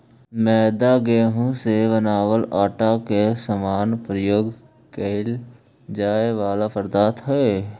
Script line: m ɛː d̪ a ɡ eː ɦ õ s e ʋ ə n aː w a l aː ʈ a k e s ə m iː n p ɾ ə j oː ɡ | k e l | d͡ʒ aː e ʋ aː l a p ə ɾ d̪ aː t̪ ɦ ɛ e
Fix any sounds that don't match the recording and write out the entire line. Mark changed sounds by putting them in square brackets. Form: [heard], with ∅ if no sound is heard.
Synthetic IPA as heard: m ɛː d̪ a ɡ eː ɦ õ s e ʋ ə n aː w [ə] l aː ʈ a k e s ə m [aː] n p ɾ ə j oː ɡ | k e l | d͡ʒ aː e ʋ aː l a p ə ɾ d̪ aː t̪ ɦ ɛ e